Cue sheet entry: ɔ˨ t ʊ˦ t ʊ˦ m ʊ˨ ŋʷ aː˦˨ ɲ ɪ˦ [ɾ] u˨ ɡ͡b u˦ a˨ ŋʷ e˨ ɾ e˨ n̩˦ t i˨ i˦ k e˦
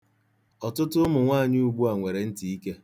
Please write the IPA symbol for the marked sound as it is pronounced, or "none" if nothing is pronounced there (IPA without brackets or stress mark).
none